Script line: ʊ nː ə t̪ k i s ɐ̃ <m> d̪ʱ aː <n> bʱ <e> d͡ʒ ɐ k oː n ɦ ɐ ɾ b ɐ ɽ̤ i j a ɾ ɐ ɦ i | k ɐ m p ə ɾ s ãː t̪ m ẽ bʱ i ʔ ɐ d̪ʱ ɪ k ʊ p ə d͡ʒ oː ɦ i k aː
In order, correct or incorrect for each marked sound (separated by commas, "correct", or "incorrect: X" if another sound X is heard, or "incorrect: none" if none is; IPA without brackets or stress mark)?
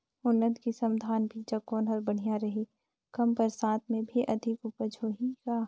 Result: correct, correct, incorrect: i